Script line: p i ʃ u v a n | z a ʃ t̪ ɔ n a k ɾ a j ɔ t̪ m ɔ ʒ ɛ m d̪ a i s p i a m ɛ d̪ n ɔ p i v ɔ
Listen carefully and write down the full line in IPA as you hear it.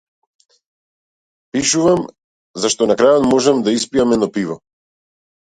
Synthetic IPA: p i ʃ u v a m | z a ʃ t̪ ɔ n a k ɾ a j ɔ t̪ m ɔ ʒ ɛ m d̪ a i s p i a m ɛ d̪ n ɔ p i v ɔ